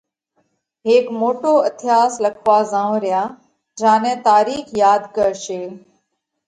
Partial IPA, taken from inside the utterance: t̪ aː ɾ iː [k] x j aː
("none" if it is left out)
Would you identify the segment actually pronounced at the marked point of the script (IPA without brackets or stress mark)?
none